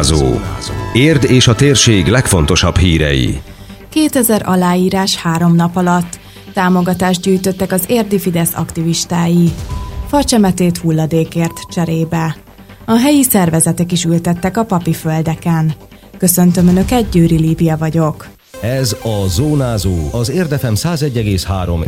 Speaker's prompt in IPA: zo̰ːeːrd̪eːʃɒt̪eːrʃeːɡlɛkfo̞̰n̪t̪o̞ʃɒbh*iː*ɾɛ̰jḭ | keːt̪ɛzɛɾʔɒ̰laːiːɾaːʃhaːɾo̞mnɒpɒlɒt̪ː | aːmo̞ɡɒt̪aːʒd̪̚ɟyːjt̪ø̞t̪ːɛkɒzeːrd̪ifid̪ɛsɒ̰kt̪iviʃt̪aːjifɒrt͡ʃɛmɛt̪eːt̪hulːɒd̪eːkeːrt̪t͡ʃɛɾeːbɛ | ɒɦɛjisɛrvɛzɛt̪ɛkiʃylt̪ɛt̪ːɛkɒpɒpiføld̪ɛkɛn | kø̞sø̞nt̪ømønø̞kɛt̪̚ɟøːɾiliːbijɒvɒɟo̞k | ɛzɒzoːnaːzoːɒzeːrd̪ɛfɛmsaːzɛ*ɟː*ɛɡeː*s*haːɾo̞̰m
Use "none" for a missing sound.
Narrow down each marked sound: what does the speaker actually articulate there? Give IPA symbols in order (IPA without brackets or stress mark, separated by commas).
iː, ɟː, s